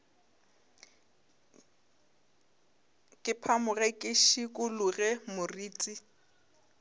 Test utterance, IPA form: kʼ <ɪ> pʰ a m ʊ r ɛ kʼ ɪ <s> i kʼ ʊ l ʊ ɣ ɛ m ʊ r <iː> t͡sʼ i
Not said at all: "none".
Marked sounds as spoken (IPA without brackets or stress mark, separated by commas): ɪ, ʃ, iː